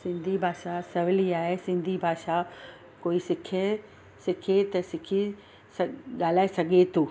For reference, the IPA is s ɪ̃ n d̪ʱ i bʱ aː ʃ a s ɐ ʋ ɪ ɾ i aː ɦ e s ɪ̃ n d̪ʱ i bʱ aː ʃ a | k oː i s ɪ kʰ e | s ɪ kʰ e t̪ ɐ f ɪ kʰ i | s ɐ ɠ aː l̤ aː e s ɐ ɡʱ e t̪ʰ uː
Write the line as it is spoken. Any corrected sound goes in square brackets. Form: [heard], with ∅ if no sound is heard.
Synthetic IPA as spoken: s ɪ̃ n d̪ʱ i bʱ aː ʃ a s ɐ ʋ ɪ [l] i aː ɦ e s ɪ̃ n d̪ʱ i bʱ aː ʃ a | k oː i s ɪ kʰ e | s ɪ kʰ e t̪ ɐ [s] ɪ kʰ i | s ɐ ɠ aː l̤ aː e s ɐ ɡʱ e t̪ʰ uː